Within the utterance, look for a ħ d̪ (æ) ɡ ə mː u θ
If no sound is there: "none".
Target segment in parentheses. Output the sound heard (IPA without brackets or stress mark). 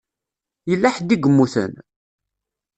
i